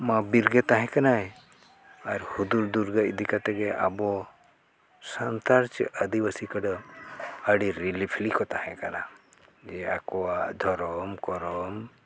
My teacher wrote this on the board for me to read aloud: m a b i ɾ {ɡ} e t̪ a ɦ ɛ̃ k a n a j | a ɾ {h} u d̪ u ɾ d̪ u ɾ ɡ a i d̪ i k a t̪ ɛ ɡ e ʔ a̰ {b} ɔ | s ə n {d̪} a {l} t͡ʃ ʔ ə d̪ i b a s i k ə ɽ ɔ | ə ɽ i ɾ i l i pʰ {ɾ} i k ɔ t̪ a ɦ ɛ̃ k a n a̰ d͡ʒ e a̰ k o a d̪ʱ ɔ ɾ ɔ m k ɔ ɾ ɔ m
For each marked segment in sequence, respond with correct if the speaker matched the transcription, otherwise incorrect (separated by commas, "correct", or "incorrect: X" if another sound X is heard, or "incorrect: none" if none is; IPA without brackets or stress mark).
correct, correct, correct, incorrect: t̪, incorrect: ɾ, incorrect: l